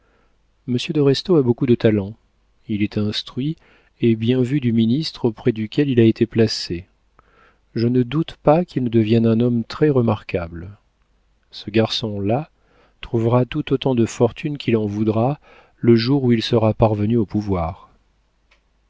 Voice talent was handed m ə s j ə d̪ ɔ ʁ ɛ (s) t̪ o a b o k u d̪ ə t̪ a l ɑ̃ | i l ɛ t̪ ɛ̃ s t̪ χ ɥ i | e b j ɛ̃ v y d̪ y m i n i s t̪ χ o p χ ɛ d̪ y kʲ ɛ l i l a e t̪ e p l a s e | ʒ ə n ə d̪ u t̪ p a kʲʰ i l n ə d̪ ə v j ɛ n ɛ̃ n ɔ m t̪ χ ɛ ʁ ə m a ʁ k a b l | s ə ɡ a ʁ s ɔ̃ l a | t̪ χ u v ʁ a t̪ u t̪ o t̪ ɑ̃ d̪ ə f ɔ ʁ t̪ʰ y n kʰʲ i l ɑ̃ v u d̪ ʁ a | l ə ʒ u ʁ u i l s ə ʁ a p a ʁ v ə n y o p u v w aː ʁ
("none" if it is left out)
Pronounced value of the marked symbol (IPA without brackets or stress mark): s